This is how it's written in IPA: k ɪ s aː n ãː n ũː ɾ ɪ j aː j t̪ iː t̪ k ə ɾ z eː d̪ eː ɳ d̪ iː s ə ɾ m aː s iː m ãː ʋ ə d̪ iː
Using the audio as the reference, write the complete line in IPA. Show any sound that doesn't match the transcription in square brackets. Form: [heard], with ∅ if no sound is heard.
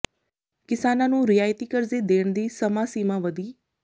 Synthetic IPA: k ɪ s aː n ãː n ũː ɾ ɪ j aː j t̪ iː [∅] k ə ɾ z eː d̪ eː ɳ d̪ iː s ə [∅] m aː s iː m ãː ʋ ə d̪ iː

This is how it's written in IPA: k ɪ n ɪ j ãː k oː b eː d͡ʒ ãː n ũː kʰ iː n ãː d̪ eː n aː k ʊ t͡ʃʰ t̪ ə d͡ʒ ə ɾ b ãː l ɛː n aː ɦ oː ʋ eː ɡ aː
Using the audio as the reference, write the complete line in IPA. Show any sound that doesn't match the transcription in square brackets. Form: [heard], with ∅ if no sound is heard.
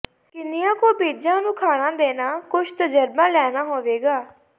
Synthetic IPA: k ɪ n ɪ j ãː k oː b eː d͡ʒ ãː n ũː kʰ [aː] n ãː d̪ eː n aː k ʊ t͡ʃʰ t̪ ə d͡ʒ ə ɾ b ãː l ɛː n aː ɦ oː ʋ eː ɡ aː

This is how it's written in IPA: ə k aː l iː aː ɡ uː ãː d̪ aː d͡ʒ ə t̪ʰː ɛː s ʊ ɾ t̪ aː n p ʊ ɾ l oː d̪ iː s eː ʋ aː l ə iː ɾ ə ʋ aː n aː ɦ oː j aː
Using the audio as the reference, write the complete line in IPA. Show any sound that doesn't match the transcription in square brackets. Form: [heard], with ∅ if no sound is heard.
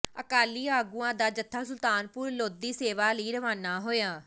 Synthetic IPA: ə k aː l iː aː ɡ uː ãː d̪ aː d͡ʒ ə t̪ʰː [aː] s ʊ [l] t̪ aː n p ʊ ɾ l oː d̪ iː s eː ʋ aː l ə iː ɾ ə ʋ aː n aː ɦ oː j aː

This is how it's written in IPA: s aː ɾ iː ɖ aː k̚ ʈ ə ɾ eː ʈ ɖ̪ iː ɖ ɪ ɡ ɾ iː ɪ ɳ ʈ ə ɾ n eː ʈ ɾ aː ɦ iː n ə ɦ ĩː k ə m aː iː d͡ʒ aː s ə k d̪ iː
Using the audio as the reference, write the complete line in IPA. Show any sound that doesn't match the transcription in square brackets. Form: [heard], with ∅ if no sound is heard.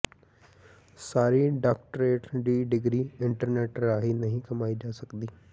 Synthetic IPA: s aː ɾ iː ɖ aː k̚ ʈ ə ɾ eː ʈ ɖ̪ iː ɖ ɪ ɡ ɾ iː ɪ ɳ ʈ ə ɾ n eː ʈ ɾ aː ɦ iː n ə ɦ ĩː k ə m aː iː d͡ʒ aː s ə k d̪ iː

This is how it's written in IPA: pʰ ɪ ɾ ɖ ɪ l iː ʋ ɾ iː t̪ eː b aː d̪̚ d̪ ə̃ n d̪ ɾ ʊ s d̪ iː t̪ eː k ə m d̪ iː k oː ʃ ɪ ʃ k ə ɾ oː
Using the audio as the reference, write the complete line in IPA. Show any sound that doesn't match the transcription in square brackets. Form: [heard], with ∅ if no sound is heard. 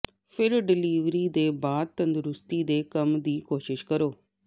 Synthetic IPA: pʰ ɪ ɾ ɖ ɪ l iː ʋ ɾ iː [d̪] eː b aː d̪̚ [t̪] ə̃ n d̪ ɾ ʊ s [t̪] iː [d̪] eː k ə m d̪ iː k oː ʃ ɪ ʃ k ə ɾ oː

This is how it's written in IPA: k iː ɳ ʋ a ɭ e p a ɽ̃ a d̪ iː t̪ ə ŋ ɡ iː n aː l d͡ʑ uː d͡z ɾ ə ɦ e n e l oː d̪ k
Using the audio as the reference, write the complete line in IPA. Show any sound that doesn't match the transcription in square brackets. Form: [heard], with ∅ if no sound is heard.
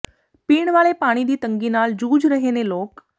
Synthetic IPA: [p] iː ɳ ʋ a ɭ e p a ɽ̃ [i] d̪ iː t̪ ə ŋ ɡ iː n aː l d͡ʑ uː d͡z ɾ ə ɦ e n e l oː [∅] k

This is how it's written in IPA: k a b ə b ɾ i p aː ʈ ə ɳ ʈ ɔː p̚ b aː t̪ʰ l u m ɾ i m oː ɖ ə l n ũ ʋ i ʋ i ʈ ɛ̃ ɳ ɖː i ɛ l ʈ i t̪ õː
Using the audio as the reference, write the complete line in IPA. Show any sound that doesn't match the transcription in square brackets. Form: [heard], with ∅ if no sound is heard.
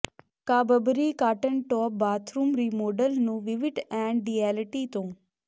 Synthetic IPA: k a b ə b ɾ i [k] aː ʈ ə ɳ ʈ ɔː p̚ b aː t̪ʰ [ɾ] u m ɾ i m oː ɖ ə l n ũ ʋ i ʋ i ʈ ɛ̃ ɳ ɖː i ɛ l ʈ i t̪ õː

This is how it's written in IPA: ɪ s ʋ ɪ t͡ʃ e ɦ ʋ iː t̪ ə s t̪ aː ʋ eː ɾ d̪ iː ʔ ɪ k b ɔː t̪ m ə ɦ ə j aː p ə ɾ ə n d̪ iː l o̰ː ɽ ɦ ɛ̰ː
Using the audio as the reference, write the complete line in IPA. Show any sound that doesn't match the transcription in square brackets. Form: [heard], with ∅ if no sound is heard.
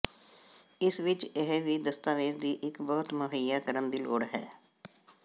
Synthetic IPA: ɪ s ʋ ɪ t͡ʃ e ɦ ʋ iː [d̪] ə s t̪ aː ʋ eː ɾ d̪ iː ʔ ɪ k b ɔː t̪ m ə ɦ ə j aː [k] ə ɾ ə n d̪ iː l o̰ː ɽ ɦ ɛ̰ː

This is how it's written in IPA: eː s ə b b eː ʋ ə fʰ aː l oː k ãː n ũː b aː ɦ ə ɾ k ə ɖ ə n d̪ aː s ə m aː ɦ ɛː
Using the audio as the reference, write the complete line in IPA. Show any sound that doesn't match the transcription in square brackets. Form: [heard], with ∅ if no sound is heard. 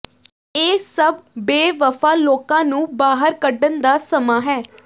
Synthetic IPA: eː s ə b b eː ʋ ə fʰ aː l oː k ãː n ũː b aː ɦ ə ɾ k ə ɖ ə n d̪ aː s ə m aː ɦ ɛː

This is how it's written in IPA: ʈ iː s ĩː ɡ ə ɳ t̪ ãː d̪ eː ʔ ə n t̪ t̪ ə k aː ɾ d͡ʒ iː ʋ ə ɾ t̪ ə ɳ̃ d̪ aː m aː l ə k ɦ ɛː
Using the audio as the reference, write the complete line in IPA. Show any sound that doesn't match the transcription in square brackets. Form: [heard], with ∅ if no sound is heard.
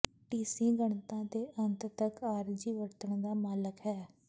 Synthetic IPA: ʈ iː s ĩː ɡ ə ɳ t̪ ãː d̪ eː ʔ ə n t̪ t̪ ə k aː ɾ d͡ʒ iː ʋ ə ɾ t̪ ə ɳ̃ d̪ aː m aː l ə k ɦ ɛː

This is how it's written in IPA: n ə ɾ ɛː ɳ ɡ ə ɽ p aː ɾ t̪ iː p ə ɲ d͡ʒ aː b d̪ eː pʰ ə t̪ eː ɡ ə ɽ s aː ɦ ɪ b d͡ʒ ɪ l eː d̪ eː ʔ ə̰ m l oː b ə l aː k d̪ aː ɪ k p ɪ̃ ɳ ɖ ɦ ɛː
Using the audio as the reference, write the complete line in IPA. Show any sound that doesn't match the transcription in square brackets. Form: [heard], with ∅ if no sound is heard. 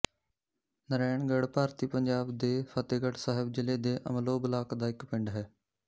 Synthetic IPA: n ə ɾ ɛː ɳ ɡ ə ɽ p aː ɾ t̪ iː p ə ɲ d͡ʒ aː b d̪ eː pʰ ə t̪ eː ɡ ə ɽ s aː ɦ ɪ b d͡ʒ ɪ l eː d̪ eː ʔ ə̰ m l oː b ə l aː k d̪ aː ɪ k p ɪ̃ ɳ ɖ ɦ ɛː

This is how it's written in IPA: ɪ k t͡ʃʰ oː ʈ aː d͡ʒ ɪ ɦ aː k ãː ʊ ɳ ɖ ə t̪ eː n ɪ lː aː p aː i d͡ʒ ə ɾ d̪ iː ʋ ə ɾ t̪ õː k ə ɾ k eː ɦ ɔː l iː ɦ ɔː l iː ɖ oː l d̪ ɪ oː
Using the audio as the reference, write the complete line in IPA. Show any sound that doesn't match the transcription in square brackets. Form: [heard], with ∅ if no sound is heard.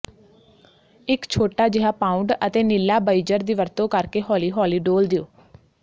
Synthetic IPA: ɪ k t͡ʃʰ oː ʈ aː d͡ʒ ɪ ɦ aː [p] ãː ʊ ɳ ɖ ə t̪ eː n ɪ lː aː [b] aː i d͡ʒ ə ɾ d̪ iː ʋ ə ɾ t̪ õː k ə ɾ k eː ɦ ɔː l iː ɦ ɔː l iː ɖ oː l d̪ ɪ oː

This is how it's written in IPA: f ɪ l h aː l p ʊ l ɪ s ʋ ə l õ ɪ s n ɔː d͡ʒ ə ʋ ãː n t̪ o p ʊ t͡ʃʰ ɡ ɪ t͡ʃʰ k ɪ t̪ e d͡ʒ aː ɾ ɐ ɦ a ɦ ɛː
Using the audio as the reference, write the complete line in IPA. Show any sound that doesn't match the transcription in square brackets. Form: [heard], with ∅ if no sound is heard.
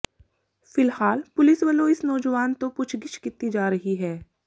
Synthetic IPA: f ɪ l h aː l p ʊ l ɪ s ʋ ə l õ ɪ s n ɔː d͡ʒ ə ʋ [aː] n t̪ o p ʊ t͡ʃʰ ɡ ɪ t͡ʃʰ k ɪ t̪ [i] d͡ʒ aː ɾ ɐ ɦ [i] ɦ ɛː

